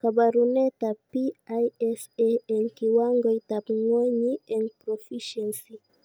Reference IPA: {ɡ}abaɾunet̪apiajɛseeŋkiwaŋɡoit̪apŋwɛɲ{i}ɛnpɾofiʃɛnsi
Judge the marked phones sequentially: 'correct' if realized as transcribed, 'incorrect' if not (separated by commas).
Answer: incorrect, correct